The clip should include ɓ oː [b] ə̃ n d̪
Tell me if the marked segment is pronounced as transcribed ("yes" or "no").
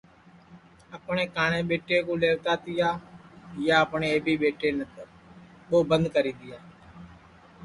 yes